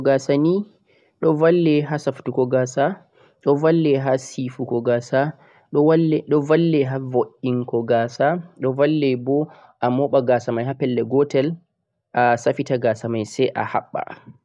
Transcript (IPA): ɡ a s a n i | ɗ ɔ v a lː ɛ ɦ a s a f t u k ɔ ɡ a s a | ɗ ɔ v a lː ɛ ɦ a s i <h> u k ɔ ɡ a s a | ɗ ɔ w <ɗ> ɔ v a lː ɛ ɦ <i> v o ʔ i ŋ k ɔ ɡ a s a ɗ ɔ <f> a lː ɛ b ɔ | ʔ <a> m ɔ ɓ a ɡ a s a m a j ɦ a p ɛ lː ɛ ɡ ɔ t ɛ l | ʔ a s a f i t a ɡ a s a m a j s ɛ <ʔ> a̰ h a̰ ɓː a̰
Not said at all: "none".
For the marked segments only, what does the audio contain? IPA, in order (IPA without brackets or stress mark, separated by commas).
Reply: f, ɗ, a, v, a, ʔ